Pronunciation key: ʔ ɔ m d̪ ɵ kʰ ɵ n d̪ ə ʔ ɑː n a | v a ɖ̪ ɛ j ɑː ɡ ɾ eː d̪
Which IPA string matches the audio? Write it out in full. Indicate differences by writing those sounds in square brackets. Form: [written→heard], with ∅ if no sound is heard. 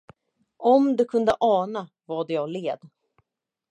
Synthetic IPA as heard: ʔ ɔ m d̪ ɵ kʰ ɵ n d̪ ə ʔ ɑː n a | v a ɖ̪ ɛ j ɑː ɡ [ɾ→l] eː d̪